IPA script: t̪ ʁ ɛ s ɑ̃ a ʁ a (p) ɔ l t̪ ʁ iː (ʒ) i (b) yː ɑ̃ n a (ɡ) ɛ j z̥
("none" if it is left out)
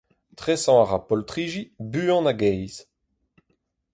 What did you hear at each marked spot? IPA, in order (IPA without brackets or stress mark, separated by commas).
p, ʒ, b, ɡ